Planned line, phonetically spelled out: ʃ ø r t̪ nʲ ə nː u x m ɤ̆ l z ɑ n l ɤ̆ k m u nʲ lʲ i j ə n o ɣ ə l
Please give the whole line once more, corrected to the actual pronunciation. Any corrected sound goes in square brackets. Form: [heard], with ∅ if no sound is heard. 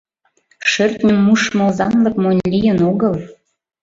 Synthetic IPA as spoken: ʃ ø r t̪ nʲ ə [mː] u [ʃ] m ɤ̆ l z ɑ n l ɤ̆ k m [o] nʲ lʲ i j ə n o ɣ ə l